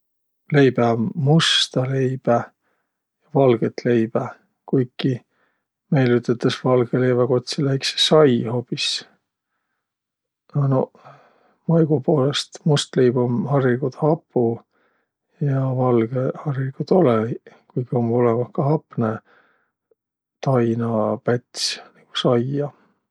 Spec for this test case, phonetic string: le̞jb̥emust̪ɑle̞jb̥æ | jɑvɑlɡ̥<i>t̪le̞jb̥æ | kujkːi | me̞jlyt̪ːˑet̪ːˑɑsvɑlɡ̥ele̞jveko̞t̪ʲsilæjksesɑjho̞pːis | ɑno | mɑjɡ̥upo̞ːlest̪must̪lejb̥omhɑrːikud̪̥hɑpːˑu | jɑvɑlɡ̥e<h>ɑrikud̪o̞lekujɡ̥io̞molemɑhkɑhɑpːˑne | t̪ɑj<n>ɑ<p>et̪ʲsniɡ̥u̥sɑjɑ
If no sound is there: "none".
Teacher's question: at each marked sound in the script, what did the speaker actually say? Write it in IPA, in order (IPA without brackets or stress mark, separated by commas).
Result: e, h, n, p